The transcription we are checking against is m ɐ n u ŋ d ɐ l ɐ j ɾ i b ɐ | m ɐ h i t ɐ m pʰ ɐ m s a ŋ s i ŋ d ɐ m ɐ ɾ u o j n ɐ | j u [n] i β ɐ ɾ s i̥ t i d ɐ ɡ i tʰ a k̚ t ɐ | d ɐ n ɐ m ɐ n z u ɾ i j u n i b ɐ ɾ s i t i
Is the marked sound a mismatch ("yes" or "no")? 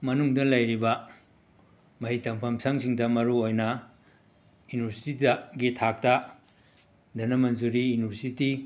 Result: no